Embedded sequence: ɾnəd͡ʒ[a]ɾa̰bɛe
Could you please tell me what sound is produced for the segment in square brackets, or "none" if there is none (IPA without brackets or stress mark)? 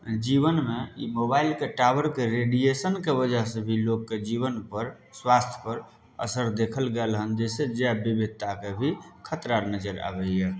ə